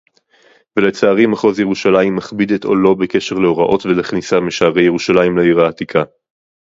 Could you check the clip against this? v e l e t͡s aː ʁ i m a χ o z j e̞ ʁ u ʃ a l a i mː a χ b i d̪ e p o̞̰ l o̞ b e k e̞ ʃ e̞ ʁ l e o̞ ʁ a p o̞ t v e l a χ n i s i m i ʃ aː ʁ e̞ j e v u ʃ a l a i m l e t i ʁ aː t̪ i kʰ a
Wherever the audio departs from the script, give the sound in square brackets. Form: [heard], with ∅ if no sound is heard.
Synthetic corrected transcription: v e l e t͡s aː ʁ i m a χ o z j e̞ ʁ u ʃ a l a i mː a χ b i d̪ e [t] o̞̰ l o̞ b e k e̞ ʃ e̞ ʁ l e o̞ ʁ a [ʔ] o̞ t v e l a χ n i s [a] m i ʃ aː ʁ e̞ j e [ʁ] u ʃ a l a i m l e [∅] i ʁ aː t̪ i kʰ a